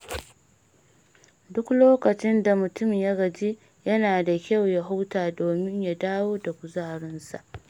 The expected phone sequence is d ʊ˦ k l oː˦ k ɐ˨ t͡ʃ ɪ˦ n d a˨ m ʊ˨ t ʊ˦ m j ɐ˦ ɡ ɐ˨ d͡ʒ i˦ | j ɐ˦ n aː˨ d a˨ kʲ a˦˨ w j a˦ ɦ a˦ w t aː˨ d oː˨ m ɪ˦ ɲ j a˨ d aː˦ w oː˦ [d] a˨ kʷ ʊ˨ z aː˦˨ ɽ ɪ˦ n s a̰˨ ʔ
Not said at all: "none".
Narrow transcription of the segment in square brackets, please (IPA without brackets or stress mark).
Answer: d